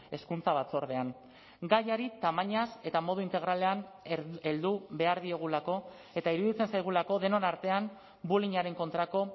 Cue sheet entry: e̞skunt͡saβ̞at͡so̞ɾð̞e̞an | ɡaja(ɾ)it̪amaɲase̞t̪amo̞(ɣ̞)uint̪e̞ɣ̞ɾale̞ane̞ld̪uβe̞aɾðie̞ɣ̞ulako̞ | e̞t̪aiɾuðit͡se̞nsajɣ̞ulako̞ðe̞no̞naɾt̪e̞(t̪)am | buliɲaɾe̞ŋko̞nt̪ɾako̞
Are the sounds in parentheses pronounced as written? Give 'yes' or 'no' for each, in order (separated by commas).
yes, no, no